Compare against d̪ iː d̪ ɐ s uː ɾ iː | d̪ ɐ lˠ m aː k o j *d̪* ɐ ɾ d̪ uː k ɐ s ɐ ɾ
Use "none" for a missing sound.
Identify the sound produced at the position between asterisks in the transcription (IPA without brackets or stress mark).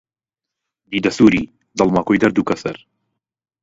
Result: d̪